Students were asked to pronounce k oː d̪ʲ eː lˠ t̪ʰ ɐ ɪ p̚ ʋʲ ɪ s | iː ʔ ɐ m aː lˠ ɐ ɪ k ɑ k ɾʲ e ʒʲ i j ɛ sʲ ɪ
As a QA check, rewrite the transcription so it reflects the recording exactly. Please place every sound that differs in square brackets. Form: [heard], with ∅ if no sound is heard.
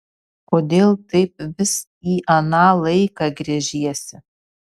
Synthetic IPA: k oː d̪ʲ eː lˠ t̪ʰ ɐ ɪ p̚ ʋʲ ɪ s | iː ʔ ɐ [n] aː lˠ ɐ ɪ k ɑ [ɡ] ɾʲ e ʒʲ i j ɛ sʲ ɪ